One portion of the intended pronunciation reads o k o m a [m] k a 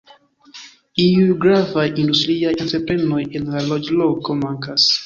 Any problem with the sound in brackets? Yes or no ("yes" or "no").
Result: yes